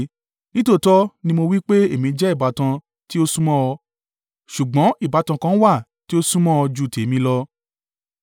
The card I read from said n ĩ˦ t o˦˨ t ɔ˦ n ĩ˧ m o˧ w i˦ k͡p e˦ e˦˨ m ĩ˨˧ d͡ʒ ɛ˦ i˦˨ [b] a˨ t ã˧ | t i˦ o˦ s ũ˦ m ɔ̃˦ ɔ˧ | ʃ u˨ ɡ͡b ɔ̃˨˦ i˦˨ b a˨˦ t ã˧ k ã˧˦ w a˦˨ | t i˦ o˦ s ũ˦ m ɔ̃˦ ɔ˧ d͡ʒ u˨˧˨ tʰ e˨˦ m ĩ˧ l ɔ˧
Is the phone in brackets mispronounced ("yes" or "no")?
no